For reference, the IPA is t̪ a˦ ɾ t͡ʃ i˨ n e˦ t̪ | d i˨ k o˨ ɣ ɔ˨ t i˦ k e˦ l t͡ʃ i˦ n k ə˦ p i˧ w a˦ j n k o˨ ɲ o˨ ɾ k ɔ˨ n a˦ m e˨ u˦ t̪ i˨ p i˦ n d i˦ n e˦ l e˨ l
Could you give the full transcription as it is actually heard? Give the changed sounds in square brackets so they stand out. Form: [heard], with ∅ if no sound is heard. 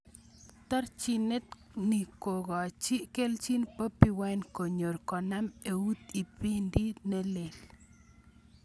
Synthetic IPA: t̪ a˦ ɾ t͡ʃ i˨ n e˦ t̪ | [n] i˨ k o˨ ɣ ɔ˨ [t͡ʃ] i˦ k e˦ l t͡ʃ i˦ n [p] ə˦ p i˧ w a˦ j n k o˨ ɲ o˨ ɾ k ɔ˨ n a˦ m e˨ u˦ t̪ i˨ p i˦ n d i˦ n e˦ l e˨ l